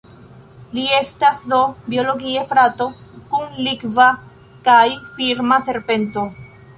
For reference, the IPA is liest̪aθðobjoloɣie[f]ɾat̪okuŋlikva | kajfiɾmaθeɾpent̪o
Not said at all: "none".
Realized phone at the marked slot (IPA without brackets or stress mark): f